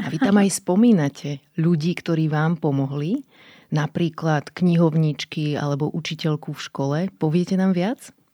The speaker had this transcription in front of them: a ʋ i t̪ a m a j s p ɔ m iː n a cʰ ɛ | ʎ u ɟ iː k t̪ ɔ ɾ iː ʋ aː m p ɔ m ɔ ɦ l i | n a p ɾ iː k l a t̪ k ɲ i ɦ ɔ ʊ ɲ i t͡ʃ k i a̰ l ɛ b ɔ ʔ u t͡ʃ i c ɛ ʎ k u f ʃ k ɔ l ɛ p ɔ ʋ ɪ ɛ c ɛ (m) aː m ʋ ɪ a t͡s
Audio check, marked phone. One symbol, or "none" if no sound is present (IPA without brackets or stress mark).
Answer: n